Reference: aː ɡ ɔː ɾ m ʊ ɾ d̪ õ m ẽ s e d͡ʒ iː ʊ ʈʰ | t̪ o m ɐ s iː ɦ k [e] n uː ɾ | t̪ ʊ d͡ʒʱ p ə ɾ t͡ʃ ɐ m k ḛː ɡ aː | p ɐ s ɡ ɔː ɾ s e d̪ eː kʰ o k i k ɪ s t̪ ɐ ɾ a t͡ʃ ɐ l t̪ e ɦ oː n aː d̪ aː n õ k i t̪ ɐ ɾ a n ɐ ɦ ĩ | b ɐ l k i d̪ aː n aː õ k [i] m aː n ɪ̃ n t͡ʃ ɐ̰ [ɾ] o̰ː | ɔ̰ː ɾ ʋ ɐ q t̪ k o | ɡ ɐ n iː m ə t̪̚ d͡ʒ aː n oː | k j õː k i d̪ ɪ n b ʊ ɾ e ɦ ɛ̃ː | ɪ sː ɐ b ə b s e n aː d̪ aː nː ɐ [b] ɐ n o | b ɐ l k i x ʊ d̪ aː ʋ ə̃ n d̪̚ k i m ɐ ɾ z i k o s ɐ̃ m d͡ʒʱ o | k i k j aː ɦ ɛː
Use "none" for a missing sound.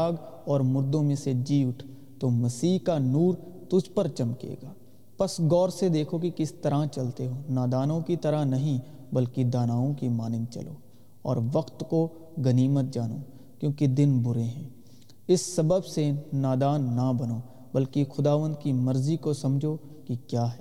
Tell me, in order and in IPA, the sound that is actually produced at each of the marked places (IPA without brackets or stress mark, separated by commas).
a, i, l, b